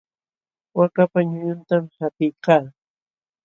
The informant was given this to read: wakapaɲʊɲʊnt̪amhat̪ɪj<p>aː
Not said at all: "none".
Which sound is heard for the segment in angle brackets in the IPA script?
k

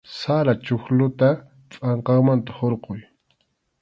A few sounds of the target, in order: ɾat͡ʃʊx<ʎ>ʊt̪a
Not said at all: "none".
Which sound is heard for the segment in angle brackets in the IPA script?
l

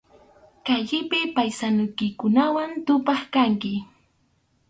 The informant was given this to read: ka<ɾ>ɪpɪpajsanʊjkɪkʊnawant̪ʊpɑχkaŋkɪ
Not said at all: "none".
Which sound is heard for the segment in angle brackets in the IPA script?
ʎ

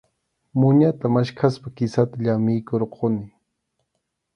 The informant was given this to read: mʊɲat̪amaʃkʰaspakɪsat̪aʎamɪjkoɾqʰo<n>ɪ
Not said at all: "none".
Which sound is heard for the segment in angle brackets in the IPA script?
n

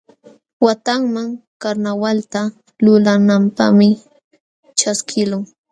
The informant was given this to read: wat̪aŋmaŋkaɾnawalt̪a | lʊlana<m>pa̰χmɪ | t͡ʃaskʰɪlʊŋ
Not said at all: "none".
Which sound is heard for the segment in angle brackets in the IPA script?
m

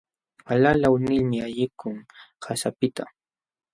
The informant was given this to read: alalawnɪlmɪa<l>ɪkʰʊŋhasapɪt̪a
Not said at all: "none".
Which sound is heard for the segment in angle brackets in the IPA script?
ʎ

